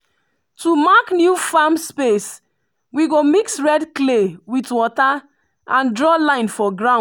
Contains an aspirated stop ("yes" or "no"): no